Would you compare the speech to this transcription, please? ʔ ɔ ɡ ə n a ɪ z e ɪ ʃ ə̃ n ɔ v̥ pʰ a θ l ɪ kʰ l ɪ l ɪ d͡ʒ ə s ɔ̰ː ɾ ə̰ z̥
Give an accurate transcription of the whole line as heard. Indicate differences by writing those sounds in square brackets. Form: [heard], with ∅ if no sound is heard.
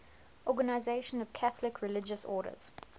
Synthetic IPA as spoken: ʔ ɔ ɡ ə n a ɪ z e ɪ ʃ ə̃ n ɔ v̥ [kʰ] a θ l ɪ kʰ [ɹ] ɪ l ɪ d͡ʒ ə s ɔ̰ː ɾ ə̰ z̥